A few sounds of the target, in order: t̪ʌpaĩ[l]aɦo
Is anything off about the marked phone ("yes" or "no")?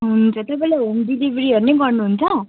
no